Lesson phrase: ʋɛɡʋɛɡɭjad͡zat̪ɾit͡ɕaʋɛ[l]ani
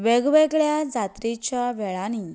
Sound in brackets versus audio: incorrect: ɭ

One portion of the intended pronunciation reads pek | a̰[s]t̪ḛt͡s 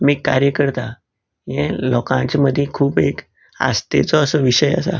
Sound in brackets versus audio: correct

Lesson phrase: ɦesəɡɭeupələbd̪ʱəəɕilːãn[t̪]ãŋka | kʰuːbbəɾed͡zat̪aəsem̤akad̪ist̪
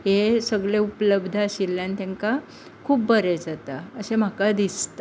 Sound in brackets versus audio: correct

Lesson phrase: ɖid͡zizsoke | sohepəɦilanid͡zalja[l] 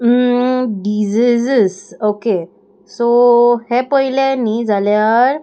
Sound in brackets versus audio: incorrect: ɾ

